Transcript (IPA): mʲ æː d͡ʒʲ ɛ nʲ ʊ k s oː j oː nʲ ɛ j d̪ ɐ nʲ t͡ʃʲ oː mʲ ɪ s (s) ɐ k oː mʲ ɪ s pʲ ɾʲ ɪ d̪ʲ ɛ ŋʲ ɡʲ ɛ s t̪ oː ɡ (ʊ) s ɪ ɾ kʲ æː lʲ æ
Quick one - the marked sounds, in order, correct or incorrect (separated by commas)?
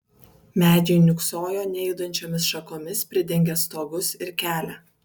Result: incorrect, correct